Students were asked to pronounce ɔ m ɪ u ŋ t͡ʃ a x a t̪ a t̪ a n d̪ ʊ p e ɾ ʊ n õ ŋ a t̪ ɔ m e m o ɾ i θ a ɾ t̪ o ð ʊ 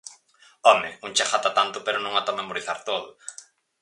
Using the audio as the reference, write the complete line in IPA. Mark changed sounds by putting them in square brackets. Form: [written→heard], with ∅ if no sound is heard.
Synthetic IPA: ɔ m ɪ u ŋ t͡ʃ a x a t̪ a t̪ a n [d̪→t̪] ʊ p e ɾ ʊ n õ ŋ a t̪ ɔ m e m o ɾ i θ a ɾ t̪ o ð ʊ